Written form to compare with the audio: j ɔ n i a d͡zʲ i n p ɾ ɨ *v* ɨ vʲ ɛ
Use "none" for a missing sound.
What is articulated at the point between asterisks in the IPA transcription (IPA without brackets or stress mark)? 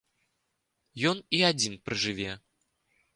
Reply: ʐ